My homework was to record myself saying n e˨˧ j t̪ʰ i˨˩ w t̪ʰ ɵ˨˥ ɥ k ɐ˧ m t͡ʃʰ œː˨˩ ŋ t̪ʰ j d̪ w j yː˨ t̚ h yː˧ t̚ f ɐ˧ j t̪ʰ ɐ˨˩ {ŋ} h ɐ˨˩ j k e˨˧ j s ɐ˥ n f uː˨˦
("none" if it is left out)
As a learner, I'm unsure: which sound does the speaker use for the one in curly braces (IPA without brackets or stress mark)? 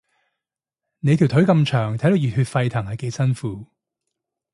ŋ